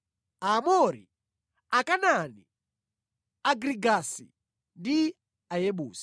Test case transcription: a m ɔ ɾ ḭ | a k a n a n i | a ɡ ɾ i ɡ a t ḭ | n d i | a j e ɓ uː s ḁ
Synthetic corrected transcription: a m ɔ ɾ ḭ | a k a n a n i | a ɡ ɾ i ɡ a s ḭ | n d i | a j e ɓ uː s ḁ

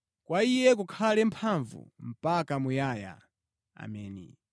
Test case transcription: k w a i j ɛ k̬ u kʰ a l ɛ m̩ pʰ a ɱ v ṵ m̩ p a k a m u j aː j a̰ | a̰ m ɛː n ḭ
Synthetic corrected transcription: k w a i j ɛ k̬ u kʰ a l ɛ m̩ pʰ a ɱ v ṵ m̩ p a k a m u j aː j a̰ | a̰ m ɛː n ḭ

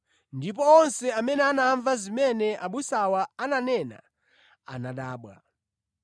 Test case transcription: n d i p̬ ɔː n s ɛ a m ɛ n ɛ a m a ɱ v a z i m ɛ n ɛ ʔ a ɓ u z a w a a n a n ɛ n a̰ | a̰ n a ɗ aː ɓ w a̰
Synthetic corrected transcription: n d i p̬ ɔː n s ɛ a m ɛ n ɛ a n a ɱ v a z i m ɛ n ɛ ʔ a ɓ u s a w a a n a n ɛ n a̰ | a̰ n a ɗ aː ɓ w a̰

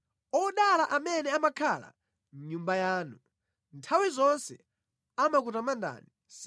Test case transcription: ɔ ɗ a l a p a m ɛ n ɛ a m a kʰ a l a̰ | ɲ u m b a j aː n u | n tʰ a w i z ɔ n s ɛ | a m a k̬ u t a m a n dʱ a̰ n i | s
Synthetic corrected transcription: ɔ ɗ a l a ʔ a m ɛ n ɛ a m a kʰ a l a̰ | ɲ u m b a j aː n u | n tʰ a w i z ɔ n s ɛ | a m a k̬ u t a m a n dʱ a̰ n i | s

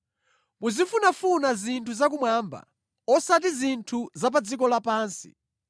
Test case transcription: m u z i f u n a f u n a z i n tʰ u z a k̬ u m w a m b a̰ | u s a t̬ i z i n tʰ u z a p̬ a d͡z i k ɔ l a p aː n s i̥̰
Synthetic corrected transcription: m u z i f u n a f u n a z i n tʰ u z a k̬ u m w a m b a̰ | ɔ s a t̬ i z i n tʰ u z a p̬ a d͡z i k ɔ l a p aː n s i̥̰

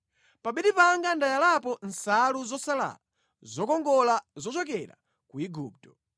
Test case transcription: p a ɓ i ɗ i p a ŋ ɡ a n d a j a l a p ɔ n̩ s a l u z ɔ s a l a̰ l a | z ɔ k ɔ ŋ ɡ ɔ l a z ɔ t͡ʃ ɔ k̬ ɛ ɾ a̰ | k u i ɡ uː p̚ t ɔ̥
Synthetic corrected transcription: p a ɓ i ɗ i p a ŋ ɡ a n d a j a l a p ɔ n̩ s a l u z ɔ s a l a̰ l a | z ɔ k ɔ ŋ ɡ ɔ l a z ɔ t͡ʃ ɔ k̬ ɛ ɾ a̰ | k u i ɡ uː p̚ t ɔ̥

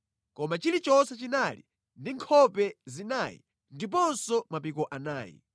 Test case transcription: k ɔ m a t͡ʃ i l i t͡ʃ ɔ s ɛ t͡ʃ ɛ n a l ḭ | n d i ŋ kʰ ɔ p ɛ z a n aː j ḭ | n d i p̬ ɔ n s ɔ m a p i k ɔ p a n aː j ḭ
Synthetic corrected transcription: k ɔ m a t͡ʃ i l i t͡ʃ ɔ s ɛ t͡ʃ i n a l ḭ | n d i ŋ kʰ ɔ p ɛ z i n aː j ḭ | n d i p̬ ɔ n s ɔ m a p i k ɔ ʔ a n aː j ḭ

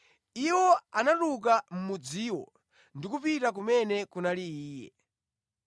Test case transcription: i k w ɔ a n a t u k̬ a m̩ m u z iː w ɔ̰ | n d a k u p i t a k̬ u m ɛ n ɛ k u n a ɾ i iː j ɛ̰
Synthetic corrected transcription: i w ɔ a n a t u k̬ a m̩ m u d͡z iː w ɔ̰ | n d i k u p i t a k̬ u m ɛ n ɛ k u n a l i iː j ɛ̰

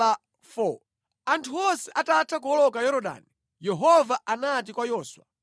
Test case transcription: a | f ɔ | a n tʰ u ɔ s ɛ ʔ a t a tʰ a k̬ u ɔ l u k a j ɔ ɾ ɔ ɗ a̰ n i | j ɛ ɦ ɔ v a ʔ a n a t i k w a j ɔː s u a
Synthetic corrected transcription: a | f ɔ | a n tʰ u ɔ s ɛ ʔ a t a tʰ a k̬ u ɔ l ɔ k a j ɔ ɾ ɔ ɗ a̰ n i | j ɛ ɦ ɔ v a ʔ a n a t i k w a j ɔː s w a

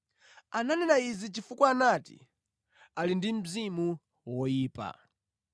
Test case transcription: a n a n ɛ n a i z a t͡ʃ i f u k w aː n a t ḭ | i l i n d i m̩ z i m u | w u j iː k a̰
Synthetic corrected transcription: a n a n ɛ n a i z i t͡ʃ i f u k w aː n a t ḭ | a l i n d i m̩ z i m u | w ɔ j iː p a̰

